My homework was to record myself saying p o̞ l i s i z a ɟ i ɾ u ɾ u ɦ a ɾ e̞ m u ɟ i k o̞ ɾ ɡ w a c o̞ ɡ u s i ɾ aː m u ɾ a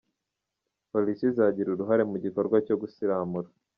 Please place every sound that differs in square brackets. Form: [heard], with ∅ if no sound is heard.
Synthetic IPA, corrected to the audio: p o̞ l i s i z a ɟ i ɾ u ɾ u ɦ a ɾ e̞ m u ɟ i k o̞ ɾ ɡ w a c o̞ ɡ u s i ɾ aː m u ɾ a